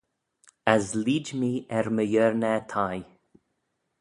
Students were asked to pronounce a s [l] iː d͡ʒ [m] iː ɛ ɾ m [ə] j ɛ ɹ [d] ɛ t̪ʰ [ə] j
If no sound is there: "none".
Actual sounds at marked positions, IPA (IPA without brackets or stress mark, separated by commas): l, m, ə, n, a